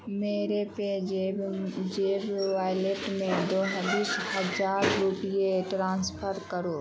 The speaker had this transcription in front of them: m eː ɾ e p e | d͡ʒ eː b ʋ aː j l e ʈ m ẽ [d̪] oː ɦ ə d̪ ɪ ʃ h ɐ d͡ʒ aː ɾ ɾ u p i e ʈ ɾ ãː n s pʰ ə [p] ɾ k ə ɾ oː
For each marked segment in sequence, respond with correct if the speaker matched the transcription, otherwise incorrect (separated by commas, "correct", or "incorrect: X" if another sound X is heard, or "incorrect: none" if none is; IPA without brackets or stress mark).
correct, incorrect: none